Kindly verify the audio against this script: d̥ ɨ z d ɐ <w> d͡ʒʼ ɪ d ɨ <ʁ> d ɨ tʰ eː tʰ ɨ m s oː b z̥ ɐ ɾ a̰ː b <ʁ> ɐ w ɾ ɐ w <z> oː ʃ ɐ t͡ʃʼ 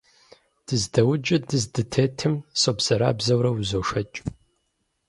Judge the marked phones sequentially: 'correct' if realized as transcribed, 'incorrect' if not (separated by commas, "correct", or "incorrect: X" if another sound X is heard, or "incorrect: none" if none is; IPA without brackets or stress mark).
correct, incorrect: z, incorrect: z, correct